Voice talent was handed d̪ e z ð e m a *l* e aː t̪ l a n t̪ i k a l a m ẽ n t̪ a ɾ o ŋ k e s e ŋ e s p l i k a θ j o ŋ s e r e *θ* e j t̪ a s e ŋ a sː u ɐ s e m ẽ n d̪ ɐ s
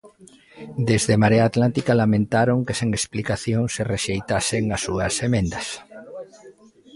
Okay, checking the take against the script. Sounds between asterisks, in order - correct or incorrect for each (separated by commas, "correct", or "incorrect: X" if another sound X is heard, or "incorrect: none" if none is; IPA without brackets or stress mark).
incorrect: ɾ, incorrect: ʃ